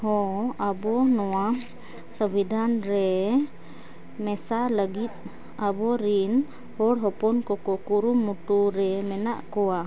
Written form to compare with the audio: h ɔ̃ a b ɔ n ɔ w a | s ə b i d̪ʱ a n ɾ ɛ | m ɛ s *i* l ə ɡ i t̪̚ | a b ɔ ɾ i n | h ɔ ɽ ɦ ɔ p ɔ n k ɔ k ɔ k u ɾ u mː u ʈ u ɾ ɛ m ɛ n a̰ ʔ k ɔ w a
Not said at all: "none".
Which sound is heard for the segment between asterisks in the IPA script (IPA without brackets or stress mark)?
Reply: a